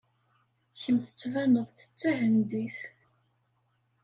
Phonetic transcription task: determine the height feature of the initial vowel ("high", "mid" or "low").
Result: mid